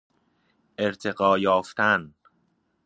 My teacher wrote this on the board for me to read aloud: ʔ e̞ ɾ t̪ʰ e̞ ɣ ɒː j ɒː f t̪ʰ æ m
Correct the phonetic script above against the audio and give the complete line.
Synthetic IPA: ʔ e̞ ɾ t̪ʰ e̞ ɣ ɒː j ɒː f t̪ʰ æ n